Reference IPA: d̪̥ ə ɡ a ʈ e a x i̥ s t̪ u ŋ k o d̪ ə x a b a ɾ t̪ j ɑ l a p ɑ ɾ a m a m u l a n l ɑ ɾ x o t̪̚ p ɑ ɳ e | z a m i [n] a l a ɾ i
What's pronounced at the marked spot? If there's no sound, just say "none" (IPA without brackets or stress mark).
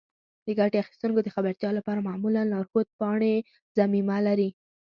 m